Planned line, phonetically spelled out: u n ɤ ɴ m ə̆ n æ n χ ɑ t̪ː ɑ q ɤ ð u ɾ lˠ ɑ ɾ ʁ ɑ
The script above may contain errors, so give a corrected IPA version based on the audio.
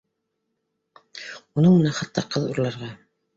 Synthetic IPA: u n ɤ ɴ m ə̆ n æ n χ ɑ t̪ː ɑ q ɤ ð u ɾ lˠ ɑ ɾ ʁ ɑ